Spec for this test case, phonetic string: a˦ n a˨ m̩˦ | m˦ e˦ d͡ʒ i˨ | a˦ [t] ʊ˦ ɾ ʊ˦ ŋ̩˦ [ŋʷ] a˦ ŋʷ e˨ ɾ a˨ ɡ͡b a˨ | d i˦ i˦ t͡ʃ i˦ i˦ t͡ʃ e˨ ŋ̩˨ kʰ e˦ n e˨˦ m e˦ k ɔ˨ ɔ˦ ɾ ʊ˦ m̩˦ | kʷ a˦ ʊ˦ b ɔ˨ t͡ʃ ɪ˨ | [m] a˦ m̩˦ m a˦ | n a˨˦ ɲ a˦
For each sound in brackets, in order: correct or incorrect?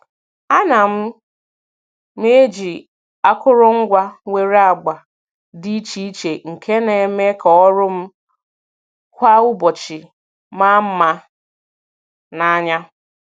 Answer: incorrect: k, incorrect: ɡʷ, correct

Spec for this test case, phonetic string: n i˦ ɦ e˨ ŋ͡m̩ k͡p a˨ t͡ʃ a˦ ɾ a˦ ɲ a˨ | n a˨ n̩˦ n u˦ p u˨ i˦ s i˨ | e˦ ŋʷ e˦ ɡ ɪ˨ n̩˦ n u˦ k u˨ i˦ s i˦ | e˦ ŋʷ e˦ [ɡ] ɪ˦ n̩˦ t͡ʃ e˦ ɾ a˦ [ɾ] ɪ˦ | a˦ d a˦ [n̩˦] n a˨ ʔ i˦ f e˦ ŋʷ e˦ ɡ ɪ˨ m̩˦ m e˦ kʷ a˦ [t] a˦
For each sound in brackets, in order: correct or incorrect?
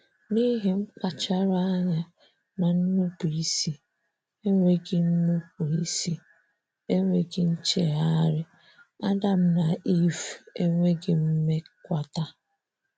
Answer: correct, correct, incorrect: m̩˦, correct

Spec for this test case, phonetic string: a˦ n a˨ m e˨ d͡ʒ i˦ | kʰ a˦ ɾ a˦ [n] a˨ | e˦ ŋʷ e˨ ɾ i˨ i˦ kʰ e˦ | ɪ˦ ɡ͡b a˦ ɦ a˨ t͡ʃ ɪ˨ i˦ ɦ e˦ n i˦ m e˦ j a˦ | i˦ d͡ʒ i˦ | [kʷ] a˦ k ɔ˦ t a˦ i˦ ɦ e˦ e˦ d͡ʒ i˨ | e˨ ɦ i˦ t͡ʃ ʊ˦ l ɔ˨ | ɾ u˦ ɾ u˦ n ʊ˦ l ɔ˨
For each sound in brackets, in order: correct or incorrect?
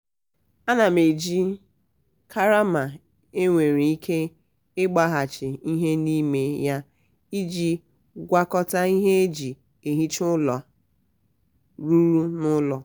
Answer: incorrect: m, incorrect: ɡʷ

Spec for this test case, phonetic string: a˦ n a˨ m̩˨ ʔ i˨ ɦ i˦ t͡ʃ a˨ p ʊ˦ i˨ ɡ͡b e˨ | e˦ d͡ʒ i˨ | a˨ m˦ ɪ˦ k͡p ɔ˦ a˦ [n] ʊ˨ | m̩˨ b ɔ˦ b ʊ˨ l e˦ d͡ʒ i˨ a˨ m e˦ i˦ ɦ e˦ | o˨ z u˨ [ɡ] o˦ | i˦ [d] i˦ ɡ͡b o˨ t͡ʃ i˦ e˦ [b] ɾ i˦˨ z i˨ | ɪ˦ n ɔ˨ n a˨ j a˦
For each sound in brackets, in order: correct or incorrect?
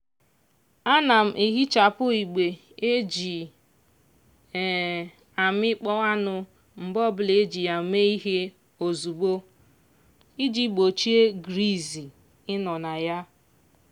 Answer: correct, incorrect: ɡ͡b, incorrect: d͡ʒ, incorrect: ɡ

